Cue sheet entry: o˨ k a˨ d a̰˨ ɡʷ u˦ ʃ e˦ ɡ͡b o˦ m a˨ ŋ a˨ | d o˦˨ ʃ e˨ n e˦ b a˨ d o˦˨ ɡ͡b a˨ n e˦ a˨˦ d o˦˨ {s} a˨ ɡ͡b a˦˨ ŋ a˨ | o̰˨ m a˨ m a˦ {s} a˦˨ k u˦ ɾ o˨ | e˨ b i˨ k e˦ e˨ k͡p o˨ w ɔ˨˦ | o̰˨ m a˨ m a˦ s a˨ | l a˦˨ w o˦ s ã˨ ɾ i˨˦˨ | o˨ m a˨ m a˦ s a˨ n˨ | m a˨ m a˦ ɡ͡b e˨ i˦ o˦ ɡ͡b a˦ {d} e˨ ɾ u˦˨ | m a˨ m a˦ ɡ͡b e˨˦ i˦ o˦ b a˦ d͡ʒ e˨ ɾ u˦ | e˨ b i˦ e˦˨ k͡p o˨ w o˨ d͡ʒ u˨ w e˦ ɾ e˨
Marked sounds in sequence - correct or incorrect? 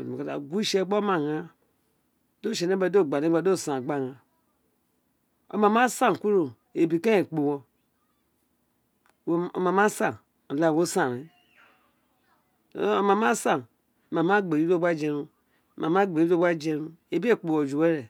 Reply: correct, correct, incorrect

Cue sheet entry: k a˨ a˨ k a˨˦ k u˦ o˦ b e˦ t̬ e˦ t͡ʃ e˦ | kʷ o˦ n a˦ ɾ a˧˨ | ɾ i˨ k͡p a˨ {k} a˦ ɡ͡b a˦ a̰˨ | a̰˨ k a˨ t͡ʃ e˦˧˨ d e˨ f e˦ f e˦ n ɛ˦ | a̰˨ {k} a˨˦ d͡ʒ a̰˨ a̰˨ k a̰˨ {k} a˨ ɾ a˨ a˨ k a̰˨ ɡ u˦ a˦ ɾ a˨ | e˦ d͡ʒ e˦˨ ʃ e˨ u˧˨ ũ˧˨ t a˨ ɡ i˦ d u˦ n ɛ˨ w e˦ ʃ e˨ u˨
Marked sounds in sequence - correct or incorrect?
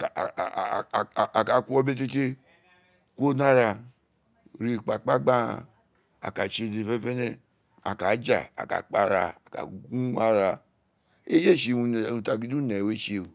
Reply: incorrect, correct, incorrect

